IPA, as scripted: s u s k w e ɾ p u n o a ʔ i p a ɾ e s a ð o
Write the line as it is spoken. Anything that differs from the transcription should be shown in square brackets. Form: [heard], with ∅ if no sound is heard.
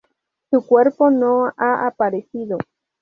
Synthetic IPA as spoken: s u [∅] k w e ɾ p [o] n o a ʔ [a] p a ɾ e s [i] ð o

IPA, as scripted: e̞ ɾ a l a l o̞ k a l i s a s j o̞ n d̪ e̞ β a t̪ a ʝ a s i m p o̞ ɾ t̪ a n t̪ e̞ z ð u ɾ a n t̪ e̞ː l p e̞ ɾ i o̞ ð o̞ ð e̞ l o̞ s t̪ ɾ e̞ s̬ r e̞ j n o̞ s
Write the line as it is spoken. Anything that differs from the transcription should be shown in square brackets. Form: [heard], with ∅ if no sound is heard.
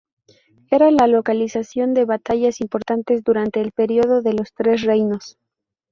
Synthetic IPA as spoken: e̞ ɾ a l a l o̞ k a l i s a s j o̞ n d̪ e̞ β a t̪ a ʝ a s i m p o̞ ɾ t̪ a n t̪ e̞ z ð u ɾ a n t̪ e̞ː l p e̞ ɾ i o̞ ð o̞ ð e̞ l o̞ s t̪ ɾ e̞ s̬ r e̞ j n o̞ s

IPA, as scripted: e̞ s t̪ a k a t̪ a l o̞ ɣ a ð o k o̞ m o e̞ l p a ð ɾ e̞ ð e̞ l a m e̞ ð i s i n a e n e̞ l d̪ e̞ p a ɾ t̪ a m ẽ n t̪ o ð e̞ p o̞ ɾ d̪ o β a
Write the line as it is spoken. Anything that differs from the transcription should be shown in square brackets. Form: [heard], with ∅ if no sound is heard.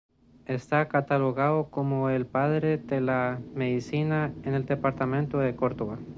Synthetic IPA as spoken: e̞ s t̪ a k a t̪ a l o̞ ɣ a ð o k o̞ m o e̞ l p a ð ɾ e̞ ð e̞ l a m e̞ ð i s i n a e n e̞ l d̪ e̞ p a ɾ t̪ a m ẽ n t̪ o ð e̞ [k] o̞ ɾ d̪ o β a

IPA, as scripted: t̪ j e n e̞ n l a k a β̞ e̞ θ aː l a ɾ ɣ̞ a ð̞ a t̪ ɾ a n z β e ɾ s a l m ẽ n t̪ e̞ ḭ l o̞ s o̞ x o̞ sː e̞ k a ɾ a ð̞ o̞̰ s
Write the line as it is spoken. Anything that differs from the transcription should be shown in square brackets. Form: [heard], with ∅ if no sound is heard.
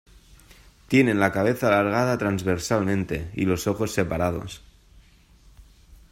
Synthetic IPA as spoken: t̪ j e n e̞ n l a k a β̞ e̞ θ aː l a ɾ ɣ̞ a ð̞ a t̪ ɾ a n z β e ɾ s a l m ẽ n t̪ e̞ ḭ l o̞ s o̞ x o̞ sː e̞ [p] a ɾ a ð̞ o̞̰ s

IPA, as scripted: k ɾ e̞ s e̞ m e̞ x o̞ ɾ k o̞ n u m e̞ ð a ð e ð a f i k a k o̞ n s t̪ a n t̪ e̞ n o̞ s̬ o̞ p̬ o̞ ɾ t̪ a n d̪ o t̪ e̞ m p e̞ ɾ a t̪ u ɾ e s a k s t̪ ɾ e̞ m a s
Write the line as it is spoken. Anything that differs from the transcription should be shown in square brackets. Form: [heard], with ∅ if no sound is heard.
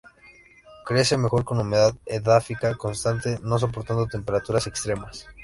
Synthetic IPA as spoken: k ɾ e̞ s e̞ m e̞ x o̞ ɾ k o̞ n u m e̞ ð a ð e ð a f i k a k o̞ n s t̪ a n t̪ e̞ n o̞ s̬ o̞ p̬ o̞ ɾ t̪ a n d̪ o t̪ e̞ m p e̞ ɾ a t̪ u ɾ [a] s [e] k s t̪ ɾ e̞ m a s

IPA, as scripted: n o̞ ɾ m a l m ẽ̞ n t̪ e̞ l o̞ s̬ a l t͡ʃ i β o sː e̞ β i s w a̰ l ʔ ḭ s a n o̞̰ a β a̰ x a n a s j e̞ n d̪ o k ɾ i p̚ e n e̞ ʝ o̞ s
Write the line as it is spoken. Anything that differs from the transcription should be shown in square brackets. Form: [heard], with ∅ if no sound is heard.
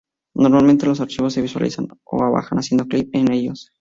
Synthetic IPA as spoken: n o̞ ɾ m a l m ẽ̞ n t̪ e̞ l o̞ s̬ a [ɾ] t͡ʃ i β o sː e̞ β i s w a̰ l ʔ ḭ s a n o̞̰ a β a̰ x a n a s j e̞ n d̪ o k [l] i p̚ e n e̞ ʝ o̞ s

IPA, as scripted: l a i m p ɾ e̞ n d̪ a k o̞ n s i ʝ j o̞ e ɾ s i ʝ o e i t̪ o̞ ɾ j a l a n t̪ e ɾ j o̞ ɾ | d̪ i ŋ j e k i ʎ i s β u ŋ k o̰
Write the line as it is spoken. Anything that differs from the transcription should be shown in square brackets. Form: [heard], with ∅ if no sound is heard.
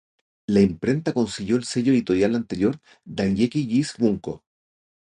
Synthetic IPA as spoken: l a i m p ɾ e̞ n [t̪] a k o̞ n s i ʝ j o̞ e [l] s [e] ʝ o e i t̪ o̞ ɾ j a l a n t̪ e ɾ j o̞ ɾ | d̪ [a] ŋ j e k i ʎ i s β u ŋ k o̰

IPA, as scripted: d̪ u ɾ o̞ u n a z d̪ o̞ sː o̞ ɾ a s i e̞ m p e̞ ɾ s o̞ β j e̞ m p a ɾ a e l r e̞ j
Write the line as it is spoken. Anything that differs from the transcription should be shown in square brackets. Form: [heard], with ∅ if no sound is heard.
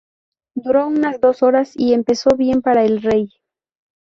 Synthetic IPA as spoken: d̪ u ɾ o̞ u n a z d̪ o̞ [s] o̞ ɾ a s i e̞ m p e̞ [∅] s o̞ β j e̞ m p a ɾ a e l r e̞ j

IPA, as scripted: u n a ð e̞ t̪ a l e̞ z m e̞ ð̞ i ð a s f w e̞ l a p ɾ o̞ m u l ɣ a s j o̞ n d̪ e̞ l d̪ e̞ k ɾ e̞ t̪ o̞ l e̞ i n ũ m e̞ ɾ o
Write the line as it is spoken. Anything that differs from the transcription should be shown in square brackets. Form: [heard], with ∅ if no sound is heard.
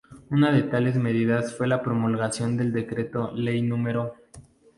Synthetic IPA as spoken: u n a ð e̞ t̪ a l e̞ z m e̞ ð̞ i ð a s f w e̞ l a p ɾ o̞ m u l ɣ a s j o̞ n d̪ e̞ l d̪ e̞ k ɾ e̞ t̪ o̞ l e̞ [j] n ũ m e̞ ɾ o

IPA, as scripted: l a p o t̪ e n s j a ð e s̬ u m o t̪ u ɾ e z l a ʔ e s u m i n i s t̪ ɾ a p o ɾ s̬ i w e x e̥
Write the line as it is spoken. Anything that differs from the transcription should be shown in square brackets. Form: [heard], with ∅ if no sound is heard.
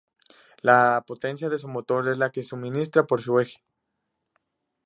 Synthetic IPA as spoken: l a p o t̪ e n s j a ð e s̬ u m o t̪ [o] ɾ e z l a [k] e s u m i n i s t̪ ɾ a p o ɾ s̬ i w e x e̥

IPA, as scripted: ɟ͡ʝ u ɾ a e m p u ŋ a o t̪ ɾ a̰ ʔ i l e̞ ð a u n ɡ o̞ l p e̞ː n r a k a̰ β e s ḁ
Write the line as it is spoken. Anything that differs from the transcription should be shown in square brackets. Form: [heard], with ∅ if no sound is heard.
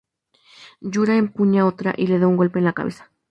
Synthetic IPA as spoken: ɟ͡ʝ u ɾ a e m p u [ɲ] a o t̪ ɾ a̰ ʔ i l e̞ ð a u [ŋ] ɡ o̞ l p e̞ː n [l] a k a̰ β e s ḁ

